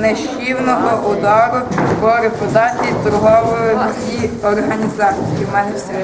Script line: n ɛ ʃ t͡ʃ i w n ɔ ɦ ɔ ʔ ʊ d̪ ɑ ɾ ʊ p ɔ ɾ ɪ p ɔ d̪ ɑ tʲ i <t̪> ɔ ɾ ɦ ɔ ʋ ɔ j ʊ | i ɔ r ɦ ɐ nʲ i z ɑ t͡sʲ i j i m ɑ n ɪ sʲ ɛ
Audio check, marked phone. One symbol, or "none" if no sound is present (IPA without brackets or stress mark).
t̪